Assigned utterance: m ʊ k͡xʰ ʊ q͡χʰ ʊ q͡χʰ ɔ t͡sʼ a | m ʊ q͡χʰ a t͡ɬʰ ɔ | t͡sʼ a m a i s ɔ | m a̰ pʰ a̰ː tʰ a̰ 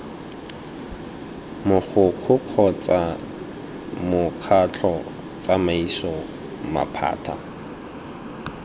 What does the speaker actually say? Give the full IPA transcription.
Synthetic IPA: m ʊ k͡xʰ ʊ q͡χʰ ʊ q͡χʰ ɔ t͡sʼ a | m ʊ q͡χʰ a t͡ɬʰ ɔ | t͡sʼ a m a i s ɔ | m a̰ pʰ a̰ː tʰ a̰